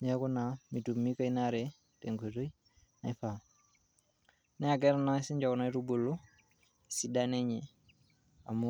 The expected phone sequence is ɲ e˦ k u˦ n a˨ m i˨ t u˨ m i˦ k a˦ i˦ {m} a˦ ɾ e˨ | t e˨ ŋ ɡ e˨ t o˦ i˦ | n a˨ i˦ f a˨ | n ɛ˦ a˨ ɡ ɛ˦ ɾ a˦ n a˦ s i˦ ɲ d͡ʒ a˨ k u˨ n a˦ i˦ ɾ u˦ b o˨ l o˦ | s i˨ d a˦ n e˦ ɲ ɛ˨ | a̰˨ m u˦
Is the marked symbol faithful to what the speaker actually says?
no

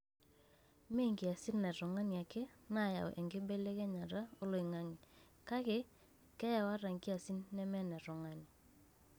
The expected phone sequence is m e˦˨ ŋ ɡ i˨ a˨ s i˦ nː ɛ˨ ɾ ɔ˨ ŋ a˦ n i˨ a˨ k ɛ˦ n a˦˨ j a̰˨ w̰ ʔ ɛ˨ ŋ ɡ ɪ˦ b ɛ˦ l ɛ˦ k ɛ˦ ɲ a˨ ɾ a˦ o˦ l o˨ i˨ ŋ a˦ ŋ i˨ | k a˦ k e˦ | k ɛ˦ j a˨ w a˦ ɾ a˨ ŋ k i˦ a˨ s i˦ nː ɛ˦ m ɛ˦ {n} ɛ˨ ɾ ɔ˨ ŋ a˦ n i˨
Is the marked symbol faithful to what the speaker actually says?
yes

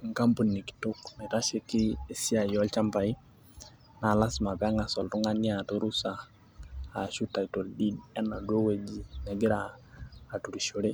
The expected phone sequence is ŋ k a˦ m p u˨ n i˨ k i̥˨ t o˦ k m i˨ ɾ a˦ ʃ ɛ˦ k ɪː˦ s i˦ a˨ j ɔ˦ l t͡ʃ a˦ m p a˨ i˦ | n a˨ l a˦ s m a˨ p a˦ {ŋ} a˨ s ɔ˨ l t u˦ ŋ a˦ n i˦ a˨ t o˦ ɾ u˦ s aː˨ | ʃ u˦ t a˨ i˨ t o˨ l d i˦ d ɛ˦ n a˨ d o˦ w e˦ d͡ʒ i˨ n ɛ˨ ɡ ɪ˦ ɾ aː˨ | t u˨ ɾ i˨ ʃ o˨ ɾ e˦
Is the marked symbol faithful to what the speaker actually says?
yes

